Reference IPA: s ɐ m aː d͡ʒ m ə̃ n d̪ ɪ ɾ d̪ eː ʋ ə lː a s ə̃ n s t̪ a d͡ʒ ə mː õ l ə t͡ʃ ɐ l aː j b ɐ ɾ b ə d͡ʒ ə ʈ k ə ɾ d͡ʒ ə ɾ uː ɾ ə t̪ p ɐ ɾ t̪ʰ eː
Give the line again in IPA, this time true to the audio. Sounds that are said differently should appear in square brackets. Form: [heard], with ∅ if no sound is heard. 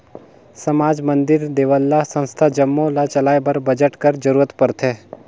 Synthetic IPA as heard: s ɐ m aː d͡ʒ m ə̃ n d̪ ɪ ɾ d̪ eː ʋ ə lː a s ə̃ n s [t̪ʰ] a d͡ʒ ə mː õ l [a] t͡ʃ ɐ l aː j b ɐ ɾ b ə d͡ʒ ə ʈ k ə ɾ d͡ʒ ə ɾ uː ɾ ə t̪ p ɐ ɾ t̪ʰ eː